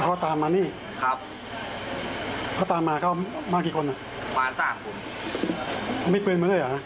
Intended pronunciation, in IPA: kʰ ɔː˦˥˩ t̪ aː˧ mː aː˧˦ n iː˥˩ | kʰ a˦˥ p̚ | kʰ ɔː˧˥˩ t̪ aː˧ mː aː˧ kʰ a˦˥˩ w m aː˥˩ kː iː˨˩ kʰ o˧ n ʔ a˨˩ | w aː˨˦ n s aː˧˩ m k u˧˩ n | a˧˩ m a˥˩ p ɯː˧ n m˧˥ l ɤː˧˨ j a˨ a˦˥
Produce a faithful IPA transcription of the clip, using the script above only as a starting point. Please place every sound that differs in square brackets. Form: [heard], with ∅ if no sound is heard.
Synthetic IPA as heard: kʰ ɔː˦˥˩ t̪ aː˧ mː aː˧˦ n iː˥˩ | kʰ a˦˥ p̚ | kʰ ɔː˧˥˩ t̪ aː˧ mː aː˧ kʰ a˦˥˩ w m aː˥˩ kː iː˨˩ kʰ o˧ n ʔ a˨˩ | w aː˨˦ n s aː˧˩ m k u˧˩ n | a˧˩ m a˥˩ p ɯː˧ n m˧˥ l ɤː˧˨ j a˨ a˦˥